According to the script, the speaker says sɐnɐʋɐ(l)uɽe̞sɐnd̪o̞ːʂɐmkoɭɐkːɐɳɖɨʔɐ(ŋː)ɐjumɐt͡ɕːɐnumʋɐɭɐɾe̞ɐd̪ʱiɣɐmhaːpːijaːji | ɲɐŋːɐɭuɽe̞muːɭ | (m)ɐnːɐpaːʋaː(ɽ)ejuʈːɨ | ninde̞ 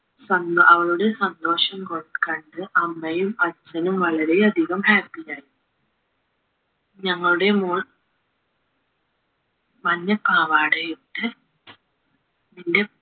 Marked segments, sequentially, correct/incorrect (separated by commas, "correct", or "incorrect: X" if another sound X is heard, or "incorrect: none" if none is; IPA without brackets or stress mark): incorrect: ɭ, incorrect: mː, correct, correct